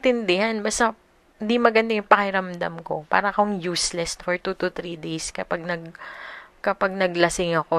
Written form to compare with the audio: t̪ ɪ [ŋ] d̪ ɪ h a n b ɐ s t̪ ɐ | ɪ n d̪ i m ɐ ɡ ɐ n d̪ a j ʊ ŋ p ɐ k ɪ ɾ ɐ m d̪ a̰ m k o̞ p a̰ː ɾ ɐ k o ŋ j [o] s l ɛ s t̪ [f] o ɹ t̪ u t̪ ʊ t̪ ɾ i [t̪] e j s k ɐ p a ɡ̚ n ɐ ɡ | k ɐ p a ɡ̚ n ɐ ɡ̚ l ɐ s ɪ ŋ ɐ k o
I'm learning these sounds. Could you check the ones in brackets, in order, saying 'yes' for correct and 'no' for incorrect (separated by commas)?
no, no, yes, no